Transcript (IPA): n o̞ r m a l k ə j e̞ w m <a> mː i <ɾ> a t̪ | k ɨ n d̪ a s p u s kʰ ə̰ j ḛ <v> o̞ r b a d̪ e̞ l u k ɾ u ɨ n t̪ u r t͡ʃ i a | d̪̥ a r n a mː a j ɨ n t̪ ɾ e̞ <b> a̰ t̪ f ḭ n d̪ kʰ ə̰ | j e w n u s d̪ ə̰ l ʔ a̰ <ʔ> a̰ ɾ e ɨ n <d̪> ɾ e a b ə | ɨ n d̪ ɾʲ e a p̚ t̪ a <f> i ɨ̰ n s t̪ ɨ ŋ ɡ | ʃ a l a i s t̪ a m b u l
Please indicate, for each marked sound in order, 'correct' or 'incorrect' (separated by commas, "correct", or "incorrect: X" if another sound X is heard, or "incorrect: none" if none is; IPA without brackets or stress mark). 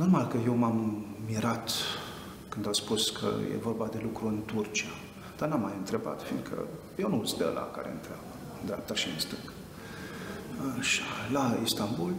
correct, correct, correct, correct, incorrect: k, incorrect: t̪, incorrect: ʃ